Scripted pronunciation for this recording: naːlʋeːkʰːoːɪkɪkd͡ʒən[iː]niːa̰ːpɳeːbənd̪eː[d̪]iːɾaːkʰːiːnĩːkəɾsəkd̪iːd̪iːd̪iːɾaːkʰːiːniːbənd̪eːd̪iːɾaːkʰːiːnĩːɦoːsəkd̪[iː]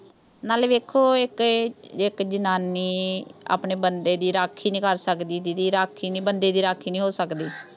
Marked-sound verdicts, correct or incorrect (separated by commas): incorrect, correct, correct